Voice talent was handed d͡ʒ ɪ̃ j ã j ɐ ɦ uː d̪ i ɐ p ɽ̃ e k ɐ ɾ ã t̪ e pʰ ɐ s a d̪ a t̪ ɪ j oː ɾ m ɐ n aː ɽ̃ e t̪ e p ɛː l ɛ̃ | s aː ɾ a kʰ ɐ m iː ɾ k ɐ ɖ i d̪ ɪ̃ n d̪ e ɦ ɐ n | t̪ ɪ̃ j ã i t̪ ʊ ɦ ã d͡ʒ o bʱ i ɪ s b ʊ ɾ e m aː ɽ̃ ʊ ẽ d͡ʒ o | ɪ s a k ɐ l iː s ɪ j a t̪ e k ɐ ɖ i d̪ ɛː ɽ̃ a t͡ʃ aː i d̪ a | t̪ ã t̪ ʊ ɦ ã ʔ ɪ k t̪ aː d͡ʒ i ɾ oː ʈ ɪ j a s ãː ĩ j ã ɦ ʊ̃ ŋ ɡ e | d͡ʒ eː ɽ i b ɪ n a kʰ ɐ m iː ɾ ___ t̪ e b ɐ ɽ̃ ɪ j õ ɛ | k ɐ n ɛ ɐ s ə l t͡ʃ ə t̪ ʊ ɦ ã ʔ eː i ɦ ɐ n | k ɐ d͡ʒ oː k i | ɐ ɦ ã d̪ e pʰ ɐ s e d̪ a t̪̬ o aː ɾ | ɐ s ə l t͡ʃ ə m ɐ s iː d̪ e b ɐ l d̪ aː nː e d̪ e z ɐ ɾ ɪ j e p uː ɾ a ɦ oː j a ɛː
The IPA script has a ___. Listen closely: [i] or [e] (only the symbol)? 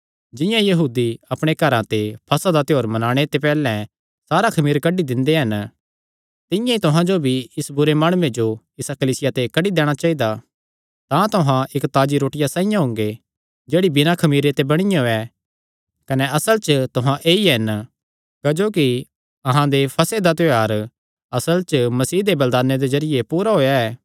e